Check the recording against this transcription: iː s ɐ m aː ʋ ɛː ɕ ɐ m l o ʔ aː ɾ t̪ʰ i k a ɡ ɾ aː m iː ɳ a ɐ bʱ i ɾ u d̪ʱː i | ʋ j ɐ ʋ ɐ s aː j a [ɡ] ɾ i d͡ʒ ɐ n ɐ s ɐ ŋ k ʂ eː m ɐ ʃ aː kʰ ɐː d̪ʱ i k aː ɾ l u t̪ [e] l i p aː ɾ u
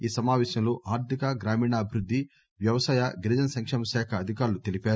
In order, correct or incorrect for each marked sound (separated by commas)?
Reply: correct, correct